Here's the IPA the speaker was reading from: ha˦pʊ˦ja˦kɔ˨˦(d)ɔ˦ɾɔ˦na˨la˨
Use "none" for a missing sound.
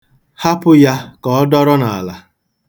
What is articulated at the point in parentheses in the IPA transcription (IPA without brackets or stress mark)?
d